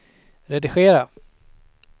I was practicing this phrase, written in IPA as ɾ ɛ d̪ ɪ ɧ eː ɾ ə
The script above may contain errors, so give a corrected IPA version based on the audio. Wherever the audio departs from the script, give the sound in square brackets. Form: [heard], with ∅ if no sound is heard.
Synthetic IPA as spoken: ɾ ɛ d̪ ɪ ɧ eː ɾ [a]